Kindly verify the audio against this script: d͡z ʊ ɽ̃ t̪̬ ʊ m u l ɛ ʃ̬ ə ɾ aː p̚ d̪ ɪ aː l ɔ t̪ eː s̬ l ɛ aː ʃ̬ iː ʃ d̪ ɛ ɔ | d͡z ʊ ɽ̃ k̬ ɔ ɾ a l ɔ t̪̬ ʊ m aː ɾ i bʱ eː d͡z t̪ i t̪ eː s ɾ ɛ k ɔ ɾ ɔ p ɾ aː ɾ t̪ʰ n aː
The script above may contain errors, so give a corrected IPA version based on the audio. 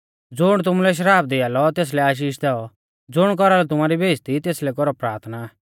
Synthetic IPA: d͡z ʊ ɽ̃ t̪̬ ʊ m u l ɛ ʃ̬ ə ɾ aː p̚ d̪ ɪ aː l ɔ t̪ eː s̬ l ɛ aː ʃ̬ iː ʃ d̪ ɛ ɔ | d͡z ʊ ɽ̃ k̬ ɔ ɾ a l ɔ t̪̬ ʊ m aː ɾ i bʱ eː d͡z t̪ i t̪ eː s l ɛ k ɔ ɾ ɔ p ɾ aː ɾ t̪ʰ n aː

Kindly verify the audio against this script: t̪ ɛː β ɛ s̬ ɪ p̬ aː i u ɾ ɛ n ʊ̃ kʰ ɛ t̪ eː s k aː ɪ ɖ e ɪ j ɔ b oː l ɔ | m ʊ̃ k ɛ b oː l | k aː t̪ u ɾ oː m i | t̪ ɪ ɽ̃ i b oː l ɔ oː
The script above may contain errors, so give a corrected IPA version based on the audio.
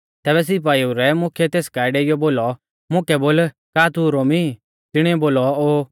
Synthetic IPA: t̪ ɛː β ɛ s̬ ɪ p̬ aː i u ɾ ɛ m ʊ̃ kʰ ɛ t̪ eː s k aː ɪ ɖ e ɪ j ɔ b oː l ɔ | m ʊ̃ k ɛ b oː l | k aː t̪ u ɾ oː m i | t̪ ɪ ɽ̃ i b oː l ɔ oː

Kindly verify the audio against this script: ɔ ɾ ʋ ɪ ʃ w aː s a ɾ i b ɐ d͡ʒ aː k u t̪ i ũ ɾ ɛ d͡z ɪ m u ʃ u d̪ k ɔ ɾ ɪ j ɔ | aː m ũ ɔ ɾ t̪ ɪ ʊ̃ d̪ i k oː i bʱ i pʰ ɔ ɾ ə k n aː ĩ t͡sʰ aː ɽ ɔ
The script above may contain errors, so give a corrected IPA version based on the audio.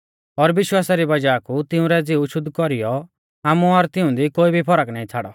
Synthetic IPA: ɔ ɾ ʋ ɪ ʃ w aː s a ɾ i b ɐ d͡ʒ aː k u t̪ ɪ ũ ɾ ɛ d͡z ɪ u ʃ ʊ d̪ k ɔ ɾ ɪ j ɔ | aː m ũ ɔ ɾ t̪ ɪ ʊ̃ d̪ i k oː i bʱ i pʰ ɔ ɾ ə k n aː ĩ t͡sʰ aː ɽ ɔ

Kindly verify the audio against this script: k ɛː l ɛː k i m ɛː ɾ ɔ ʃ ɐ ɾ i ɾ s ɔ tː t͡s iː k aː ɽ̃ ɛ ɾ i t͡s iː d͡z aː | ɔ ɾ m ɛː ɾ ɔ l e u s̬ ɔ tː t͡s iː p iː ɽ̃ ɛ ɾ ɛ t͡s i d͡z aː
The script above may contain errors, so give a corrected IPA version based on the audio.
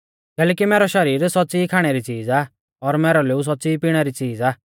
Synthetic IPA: k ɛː l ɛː k i m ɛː ɾ ɔ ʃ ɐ ɾ iː ɾ s ɔ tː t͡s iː kʰ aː ɽ̃ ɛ ɾ i t͡s iː d͡z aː | ɔ ɾ m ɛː ɾ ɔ l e u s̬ ɔ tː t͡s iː p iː ɽ̃ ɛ ɾ i t͡s iː d͡z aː

